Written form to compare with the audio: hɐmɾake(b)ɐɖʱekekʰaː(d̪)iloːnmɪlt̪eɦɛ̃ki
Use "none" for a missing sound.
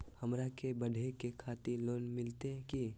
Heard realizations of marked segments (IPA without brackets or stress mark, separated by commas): b, t̪